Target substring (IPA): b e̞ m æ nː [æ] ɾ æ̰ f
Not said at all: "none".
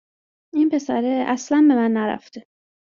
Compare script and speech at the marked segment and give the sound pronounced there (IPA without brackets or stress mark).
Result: æ